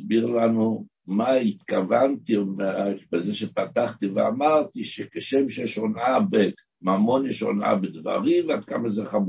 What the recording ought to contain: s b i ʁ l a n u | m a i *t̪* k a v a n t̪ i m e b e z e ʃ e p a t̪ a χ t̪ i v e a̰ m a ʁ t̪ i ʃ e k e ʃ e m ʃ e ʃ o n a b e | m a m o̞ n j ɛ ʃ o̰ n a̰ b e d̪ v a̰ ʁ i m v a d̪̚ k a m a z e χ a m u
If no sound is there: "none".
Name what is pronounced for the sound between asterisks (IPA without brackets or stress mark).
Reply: t̪